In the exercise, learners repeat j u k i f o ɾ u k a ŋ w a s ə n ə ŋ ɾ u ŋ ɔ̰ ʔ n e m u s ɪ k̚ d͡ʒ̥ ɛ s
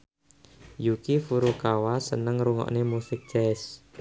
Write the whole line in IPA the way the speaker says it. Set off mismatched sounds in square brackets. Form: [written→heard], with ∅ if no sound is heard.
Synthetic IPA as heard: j u k i f [o→u] ɾ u k a [ŋ→∅] w a s ə n ə ŋ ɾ u ŋ ɔ̰ ʔ n e m u s ɪ k̚ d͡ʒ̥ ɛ s

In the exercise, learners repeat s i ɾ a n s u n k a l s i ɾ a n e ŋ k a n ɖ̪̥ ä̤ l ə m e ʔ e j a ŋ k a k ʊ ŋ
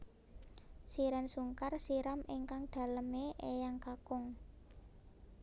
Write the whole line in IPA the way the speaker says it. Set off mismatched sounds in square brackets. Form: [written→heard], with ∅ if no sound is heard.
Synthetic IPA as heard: s i ɾ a n s u [n→ŋ] k a [l→r] s i ɾ a [n→m] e ŋ k a [n→ŋ] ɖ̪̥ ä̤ l ə m e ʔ e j a ŋ k a k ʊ ŋ

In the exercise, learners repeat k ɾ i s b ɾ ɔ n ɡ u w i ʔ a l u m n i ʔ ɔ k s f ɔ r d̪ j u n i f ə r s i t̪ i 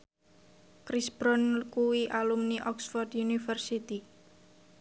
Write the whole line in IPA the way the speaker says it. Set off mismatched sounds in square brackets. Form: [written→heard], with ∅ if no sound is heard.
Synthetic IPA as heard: k ɾ i s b ɾ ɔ n [ɡ→k] u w i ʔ a l u m n i ʔ ɔ k s f ɔ r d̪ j u n i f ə r s i t̪ i

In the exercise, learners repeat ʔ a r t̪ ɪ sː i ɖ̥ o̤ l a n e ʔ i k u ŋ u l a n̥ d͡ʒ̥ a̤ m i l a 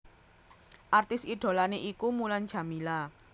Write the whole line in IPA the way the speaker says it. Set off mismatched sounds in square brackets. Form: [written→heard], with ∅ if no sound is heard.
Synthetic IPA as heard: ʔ a r t̪ ɪ [sː→s] i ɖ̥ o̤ l a n e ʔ i k u [ŋ→m] u l a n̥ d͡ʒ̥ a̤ m i l a

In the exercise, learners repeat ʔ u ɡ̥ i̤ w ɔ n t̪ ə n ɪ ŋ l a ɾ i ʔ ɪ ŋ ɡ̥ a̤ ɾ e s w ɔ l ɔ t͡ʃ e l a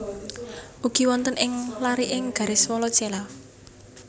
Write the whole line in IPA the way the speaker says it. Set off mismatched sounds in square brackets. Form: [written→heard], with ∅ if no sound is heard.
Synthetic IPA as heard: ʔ u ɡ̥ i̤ w ɔ n t̪ ə n ɪ ŋ l a ɾ i ʔ ɪ ŋ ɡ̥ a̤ ɾ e s w ɔ l ɔ t͡ʃ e l a

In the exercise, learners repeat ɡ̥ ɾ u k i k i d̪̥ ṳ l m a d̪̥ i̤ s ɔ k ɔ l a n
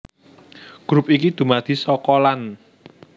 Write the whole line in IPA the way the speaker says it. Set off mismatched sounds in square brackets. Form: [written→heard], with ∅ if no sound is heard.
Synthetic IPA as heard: ɡ̥ ɾ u [k→p] i k i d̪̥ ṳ [l→∅] m a d̪̥ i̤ s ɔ k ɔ l a n

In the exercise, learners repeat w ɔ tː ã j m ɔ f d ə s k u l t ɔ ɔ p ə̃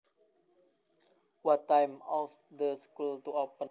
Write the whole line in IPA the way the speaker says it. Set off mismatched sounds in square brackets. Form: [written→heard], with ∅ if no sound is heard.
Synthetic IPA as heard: w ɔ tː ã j m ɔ [f→s] d ə s k u l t [ɔ→u] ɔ p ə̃

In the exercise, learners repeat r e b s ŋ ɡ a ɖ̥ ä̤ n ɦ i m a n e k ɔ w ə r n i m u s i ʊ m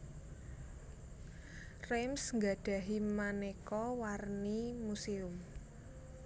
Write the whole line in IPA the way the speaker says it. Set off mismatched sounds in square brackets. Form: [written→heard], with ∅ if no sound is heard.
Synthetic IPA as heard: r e [b→m] s ŋ ɡ a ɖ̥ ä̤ [n→∅] ɦ i m a n e k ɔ w [ə→a] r n i m u s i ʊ m

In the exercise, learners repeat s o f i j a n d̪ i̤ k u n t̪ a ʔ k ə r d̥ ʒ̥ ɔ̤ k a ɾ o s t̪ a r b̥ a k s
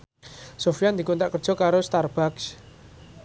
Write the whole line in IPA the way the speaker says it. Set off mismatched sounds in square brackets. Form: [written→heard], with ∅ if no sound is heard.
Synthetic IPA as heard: s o f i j a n d̪ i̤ k u n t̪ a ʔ k ə r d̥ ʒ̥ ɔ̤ k a ɾ o s t̪ a r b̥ a k s

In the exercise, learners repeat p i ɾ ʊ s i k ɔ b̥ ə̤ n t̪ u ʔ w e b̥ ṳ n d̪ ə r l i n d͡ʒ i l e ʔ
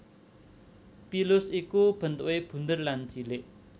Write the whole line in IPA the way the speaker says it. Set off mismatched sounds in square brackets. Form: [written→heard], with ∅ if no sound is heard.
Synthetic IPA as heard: p i [ɾ→l] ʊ s i k [ɔ→u] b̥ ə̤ n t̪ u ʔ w e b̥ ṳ n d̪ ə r l [i→a] n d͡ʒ i l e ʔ

